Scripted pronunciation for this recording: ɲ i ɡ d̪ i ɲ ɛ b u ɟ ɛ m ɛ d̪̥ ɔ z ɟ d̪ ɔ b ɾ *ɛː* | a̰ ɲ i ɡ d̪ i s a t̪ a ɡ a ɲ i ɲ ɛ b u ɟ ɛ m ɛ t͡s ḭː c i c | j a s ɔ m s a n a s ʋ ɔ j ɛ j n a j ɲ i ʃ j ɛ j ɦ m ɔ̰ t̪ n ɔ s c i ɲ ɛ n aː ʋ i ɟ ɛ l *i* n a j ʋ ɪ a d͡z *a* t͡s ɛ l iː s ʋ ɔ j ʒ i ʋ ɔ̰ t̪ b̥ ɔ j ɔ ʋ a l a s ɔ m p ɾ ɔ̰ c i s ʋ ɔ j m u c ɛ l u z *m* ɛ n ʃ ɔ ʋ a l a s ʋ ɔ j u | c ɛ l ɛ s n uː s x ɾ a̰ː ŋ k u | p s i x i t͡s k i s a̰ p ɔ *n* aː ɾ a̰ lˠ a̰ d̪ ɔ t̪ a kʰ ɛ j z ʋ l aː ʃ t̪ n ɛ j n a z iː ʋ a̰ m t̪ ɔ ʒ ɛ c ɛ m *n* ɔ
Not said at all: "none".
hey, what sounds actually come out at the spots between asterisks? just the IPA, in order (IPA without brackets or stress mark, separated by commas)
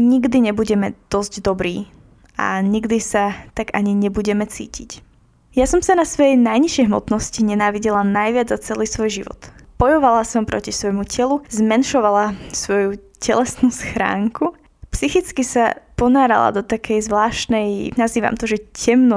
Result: iː, a, a, m, n, n